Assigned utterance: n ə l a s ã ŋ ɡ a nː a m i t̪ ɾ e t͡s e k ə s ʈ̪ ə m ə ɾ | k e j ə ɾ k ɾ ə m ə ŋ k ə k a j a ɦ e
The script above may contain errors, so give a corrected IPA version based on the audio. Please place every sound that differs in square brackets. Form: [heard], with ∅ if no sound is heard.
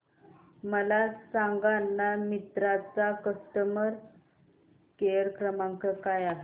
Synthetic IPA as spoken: [m] ə l a s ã ŋ ɡ a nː a m i t̪ ɾ [a] t͡s [a] k ə s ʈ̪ ə m ə ɾ | k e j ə ɾ k ɾ ə m [a] ŋ k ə k a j a ɦ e